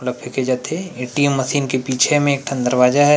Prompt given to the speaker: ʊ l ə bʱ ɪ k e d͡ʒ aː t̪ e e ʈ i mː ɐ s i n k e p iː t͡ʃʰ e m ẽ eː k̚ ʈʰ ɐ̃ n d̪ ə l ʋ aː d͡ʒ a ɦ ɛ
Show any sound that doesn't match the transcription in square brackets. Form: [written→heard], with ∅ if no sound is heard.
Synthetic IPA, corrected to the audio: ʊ l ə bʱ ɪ k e d͡ʒ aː t̪ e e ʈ i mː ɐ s [i→iː] n k e p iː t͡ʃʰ e m ẽ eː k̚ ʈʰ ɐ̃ n d̪ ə [l→ɾ] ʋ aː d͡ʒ a ɦ ɛ